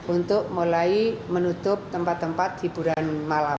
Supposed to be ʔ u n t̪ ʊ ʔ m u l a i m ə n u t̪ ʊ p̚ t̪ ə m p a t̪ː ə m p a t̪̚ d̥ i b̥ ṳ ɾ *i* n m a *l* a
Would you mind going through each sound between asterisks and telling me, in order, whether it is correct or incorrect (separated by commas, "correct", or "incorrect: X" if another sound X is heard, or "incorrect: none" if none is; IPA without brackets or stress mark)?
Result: incorrect: a, correct